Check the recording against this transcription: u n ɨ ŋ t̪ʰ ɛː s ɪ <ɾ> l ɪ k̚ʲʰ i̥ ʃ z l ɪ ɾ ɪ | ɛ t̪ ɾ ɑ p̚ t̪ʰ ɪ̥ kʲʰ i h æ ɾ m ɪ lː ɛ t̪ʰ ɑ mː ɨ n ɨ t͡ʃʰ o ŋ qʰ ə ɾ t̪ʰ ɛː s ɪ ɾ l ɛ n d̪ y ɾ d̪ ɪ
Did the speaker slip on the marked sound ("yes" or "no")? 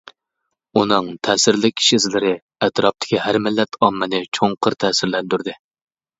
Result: no